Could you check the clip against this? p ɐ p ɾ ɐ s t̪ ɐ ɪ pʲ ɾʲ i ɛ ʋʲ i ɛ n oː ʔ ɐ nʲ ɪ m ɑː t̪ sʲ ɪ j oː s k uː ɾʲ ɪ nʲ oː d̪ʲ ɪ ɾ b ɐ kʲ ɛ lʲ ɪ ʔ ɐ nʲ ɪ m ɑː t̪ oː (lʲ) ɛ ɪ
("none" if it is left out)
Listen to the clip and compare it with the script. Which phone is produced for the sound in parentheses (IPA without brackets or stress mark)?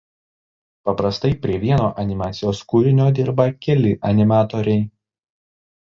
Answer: ɾʲ